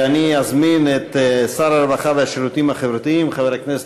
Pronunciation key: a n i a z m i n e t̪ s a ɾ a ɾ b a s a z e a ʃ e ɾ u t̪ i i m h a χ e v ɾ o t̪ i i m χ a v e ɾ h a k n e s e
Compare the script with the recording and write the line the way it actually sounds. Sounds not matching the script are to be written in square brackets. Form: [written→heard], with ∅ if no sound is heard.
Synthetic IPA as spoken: a n i a z m i n e t̪ s a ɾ a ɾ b a [s→χ] a [z→v] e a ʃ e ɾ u t̪ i i m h a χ e v ɾ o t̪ i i m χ a v e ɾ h a k n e s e

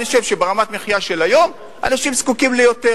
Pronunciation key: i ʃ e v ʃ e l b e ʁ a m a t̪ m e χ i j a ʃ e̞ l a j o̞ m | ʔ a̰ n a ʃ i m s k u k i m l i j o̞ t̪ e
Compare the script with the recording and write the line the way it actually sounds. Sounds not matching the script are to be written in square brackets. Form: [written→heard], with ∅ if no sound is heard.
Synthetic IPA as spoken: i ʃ e v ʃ e [l→∅] b e ʁ a m a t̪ m e χ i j a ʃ e̞ l a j o̞ m | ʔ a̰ n a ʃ i m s k u k i m l [i→e] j o̞ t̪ e

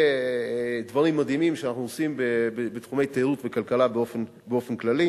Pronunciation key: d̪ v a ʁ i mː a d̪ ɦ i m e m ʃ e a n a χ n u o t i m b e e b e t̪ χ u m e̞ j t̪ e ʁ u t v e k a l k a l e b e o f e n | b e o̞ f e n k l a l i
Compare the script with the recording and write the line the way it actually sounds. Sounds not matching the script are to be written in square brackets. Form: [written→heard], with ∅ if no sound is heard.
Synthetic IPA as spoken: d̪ v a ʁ i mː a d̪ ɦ i m [e→i] m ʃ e a n a χ n u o [t→s] i m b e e b e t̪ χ u m e̞ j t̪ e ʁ u t v e k a l k a l [e→a] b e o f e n | b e o̞ f e n k l a l i

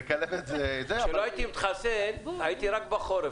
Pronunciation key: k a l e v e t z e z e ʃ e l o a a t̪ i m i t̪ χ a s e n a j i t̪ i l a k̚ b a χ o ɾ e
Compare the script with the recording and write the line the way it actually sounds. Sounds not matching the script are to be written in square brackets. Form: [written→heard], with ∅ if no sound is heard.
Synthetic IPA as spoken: k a l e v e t z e z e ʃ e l o a [a→i] t̪ i m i t̪ χ a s e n a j i t̪ i [l→ɾ] a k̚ b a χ o ɾ e

